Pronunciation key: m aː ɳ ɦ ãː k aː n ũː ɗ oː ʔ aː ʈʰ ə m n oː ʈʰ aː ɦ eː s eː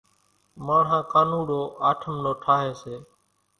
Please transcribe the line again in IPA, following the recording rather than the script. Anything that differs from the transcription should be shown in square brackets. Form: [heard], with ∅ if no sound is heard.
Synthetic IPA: m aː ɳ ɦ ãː k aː n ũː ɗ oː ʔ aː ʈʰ ə m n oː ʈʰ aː ɦ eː s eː